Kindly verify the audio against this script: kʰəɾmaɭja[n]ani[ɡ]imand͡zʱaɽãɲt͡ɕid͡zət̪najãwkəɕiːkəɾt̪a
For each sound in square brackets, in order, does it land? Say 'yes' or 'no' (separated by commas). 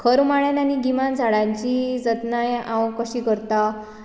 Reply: yes, yes